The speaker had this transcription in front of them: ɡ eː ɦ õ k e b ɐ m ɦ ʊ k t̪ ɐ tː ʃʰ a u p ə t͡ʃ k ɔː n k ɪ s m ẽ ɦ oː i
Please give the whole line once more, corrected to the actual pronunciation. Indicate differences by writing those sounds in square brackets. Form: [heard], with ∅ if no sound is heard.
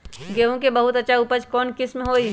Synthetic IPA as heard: ɡ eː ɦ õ k e b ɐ [∅] ɦ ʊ [∅] t̪ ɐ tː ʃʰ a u p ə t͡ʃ k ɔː n k ɪ s m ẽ ɦ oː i